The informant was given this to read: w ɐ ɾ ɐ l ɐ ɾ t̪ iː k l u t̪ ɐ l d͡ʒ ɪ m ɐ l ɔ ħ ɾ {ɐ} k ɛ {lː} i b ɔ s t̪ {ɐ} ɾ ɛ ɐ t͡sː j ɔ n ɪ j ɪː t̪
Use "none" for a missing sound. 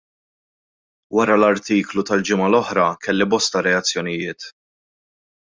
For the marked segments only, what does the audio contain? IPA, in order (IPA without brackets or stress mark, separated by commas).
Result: ɐ, lː, ɐ